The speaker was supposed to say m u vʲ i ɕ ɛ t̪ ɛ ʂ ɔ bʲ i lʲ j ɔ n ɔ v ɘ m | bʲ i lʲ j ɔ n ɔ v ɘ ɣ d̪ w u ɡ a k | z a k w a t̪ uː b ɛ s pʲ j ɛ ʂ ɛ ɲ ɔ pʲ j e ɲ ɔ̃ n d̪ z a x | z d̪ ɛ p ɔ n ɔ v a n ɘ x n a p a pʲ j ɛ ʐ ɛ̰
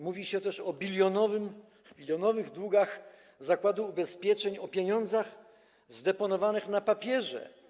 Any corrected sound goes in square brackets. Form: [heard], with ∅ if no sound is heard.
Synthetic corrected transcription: m u vʲ i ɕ ɛ t̪ ɛ ʂ ɔ bʲ i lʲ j ɔ n ɔ v ɘ m | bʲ i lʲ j ɔ n ɔ v ɘ ɣ d̪ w u ɡ a [x] | z a k w a [d̪] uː b ɛ s pʲ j ɛ [t͡ʂ] ɛ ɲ ɔ pʲ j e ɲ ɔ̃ n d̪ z a x | z d̪ ɛ p ɔ n ɔ v a n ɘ x n a p a pʲ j ɛ ʐ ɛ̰